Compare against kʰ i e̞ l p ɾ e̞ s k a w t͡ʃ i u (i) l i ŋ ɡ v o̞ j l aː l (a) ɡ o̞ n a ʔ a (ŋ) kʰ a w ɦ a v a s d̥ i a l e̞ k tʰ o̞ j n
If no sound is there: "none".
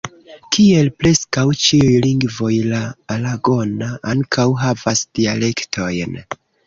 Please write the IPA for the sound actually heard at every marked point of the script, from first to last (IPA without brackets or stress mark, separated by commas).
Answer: j, a, ŋ